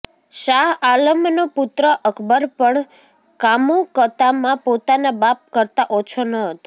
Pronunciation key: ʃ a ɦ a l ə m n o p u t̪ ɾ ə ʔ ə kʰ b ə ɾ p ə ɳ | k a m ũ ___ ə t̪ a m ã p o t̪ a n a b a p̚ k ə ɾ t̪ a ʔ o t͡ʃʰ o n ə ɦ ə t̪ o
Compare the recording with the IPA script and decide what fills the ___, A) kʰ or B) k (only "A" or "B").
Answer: B